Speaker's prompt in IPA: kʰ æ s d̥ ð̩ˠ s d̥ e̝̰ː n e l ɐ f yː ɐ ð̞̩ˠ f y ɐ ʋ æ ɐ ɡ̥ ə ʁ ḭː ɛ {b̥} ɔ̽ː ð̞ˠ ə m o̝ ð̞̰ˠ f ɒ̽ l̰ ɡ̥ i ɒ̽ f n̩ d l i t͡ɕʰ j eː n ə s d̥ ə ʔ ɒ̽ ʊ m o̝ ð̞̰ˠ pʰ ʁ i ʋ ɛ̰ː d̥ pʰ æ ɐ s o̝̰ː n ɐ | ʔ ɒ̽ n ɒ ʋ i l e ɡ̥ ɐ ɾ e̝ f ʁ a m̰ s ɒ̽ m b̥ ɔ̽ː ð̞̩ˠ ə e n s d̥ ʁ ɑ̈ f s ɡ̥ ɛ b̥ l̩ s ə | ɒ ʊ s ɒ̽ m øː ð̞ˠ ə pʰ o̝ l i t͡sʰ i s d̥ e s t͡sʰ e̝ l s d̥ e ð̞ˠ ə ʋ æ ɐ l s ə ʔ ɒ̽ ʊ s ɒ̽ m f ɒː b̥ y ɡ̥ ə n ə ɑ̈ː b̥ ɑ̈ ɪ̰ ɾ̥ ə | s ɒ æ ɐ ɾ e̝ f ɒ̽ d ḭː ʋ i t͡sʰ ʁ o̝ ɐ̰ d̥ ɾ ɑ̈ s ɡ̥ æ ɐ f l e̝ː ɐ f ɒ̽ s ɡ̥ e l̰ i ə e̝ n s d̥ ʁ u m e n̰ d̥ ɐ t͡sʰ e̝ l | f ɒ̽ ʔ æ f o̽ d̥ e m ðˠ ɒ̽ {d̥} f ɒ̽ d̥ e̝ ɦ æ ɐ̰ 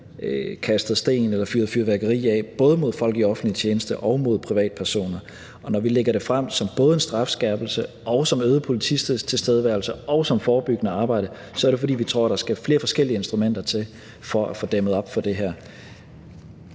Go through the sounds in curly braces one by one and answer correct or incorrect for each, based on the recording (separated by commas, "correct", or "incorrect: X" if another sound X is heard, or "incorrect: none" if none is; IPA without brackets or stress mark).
correct, incorrect: b̥